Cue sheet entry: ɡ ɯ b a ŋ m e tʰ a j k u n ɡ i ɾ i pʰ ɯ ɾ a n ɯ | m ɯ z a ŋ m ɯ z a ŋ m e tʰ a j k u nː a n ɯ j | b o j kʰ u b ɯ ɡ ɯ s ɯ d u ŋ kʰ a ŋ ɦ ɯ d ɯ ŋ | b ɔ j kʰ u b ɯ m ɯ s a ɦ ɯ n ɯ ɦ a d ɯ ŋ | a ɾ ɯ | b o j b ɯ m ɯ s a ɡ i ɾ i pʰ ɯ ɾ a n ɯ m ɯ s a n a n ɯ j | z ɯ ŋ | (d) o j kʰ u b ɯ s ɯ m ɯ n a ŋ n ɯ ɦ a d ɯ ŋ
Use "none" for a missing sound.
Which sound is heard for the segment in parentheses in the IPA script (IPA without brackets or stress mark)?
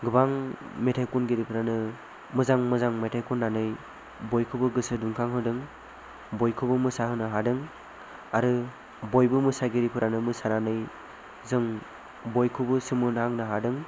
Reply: b